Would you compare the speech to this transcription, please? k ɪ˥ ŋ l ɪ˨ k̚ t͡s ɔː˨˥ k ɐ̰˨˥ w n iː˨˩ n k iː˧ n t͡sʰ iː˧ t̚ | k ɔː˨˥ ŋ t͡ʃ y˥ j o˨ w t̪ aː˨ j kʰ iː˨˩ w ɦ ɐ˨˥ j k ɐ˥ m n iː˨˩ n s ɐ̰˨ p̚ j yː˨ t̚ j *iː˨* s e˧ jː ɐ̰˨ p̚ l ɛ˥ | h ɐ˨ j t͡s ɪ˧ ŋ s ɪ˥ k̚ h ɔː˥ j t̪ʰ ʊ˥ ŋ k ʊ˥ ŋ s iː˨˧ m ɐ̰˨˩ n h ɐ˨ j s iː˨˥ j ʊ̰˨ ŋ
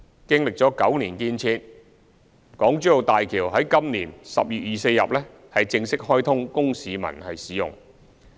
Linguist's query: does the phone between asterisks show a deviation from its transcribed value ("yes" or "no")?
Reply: no